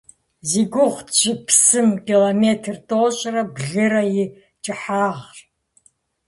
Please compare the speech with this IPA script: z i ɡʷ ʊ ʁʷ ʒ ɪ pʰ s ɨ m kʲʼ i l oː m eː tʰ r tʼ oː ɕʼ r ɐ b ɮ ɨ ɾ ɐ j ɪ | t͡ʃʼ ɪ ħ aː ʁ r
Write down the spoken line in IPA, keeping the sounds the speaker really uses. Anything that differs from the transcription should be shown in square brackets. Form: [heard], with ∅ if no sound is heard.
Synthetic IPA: z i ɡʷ ʊ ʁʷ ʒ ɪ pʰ s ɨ m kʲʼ i l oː m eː tʰ r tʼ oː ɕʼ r ɐ b ɮ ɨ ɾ ɐ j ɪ | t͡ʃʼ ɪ ħ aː ʁ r